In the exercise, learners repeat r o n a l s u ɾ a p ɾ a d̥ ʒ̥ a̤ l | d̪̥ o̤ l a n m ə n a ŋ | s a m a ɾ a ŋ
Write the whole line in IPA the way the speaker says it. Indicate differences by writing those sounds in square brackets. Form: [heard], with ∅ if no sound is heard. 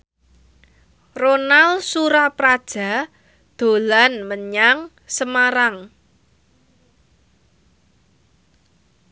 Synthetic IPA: r o n a l s u ɾ a p ɾ a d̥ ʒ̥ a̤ [∅] | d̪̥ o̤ l a n m ə [ɲ] a ŋ | s [ə] m a ɾ a ŋ